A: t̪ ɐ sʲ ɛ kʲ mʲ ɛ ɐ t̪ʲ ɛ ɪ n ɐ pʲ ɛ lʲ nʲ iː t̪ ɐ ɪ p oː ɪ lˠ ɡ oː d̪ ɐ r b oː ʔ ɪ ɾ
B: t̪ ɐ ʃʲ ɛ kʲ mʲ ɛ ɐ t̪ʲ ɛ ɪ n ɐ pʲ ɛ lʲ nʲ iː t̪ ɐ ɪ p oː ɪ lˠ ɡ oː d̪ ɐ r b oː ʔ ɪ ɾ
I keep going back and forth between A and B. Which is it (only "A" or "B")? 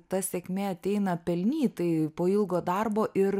A